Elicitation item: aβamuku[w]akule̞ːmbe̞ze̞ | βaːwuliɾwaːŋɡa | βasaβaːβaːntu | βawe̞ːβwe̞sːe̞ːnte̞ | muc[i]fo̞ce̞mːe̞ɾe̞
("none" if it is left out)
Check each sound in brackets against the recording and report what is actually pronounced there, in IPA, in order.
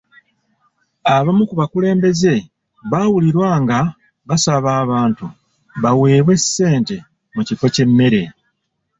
β, i

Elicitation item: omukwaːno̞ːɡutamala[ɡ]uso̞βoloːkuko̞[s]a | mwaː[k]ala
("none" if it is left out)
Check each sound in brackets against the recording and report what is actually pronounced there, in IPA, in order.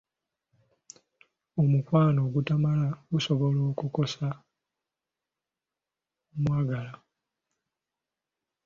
ɡ, s, ɡ

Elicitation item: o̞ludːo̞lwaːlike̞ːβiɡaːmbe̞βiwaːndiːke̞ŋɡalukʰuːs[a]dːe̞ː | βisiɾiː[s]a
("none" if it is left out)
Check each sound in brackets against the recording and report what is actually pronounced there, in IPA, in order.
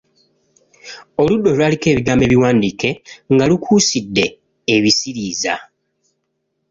i, z

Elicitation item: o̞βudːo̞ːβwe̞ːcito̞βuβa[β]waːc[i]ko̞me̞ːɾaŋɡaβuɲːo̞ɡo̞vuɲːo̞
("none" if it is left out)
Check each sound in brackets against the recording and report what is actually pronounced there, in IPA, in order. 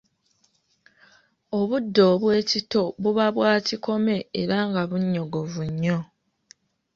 β, i

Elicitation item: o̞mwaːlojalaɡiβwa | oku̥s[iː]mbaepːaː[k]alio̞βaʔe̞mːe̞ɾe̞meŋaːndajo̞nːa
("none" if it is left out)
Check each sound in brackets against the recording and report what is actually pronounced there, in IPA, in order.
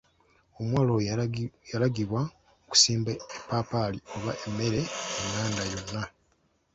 iː, p

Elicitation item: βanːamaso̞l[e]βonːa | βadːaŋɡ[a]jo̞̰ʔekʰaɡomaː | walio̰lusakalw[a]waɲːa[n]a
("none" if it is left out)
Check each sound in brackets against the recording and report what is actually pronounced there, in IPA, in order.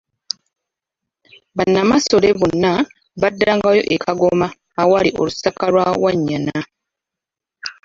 e, a, a, n

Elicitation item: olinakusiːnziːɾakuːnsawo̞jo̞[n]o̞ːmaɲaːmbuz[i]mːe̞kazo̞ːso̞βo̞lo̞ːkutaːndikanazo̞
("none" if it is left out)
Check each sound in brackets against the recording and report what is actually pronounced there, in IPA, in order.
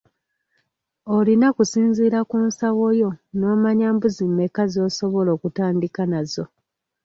n, i

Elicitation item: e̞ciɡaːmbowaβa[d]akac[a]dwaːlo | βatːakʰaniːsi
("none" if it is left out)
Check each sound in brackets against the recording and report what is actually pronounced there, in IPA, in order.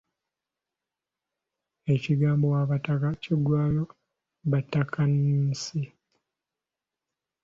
t, i

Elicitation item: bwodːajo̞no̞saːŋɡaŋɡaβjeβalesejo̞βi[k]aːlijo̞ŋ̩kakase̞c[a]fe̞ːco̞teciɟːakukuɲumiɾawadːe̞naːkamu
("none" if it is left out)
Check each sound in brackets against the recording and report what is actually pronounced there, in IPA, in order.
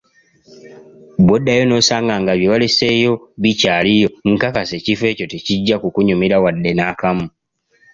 c, i

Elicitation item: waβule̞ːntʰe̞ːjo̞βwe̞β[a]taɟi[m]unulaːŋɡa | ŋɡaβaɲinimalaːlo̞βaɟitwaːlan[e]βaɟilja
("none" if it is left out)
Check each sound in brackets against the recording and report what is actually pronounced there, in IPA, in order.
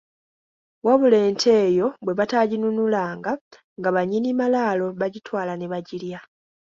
a, n, e

